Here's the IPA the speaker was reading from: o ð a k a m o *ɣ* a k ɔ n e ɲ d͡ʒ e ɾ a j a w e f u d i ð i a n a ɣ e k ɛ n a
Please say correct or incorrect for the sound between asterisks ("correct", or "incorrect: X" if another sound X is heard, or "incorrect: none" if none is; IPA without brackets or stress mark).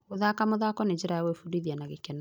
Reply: incorrect: ð